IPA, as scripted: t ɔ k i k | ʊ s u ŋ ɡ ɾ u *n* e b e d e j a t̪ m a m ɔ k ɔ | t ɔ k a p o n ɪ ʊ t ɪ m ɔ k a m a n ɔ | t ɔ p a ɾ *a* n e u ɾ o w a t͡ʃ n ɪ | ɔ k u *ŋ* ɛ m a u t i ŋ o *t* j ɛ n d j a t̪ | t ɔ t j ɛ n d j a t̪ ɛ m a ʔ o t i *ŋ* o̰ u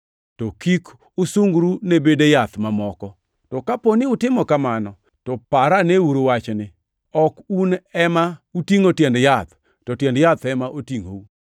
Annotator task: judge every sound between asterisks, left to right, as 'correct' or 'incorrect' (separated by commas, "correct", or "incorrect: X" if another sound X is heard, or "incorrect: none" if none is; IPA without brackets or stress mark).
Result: correct, correct, incorrect: n, correct, correct